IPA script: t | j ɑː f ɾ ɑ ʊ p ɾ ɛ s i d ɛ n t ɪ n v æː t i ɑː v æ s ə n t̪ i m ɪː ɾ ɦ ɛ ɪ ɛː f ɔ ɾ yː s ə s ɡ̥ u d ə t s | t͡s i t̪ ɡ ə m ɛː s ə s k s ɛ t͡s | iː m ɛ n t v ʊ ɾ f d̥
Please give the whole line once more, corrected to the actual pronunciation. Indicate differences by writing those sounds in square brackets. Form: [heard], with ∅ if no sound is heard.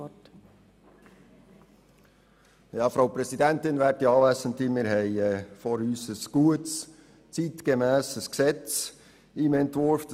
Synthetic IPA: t | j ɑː f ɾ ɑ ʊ p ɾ ɛ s i d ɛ n t ɪ n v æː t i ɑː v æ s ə n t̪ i m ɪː ɾ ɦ ɛ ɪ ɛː f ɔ ɾ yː s ə s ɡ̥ u [∅] ə t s | t͡s i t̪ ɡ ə m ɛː s ə s k s ɛ t͡s | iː m ɛ n t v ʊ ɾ f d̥